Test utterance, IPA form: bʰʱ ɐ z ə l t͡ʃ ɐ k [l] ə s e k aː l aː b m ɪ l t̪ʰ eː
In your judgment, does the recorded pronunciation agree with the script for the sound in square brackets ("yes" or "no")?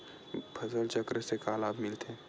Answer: no